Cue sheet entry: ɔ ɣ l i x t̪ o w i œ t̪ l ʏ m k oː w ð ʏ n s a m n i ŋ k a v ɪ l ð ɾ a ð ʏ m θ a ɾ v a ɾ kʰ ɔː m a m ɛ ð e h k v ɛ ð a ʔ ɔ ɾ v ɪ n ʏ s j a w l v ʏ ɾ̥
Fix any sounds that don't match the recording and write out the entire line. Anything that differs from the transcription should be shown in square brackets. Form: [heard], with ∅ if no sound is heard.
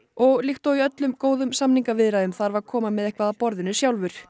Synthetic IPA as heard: ɔ ɣ l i x t̪ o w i œ t̪ l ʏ m k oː w ð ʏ [m] s a m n i ŋ k a v ɪ [∅] ð ɾ a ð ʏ m θ a ɾ v a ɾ kʰ ɔː m a m ɛ ð e h k v [a] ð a [p] ɔ ɾ [ð] ɪ n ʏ s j a w l v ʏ ɾ̥